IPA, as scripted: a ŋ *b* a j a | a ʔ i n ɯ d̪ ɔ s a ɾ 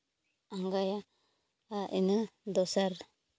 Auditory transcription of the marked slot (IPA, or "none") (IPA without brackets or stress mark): ɡ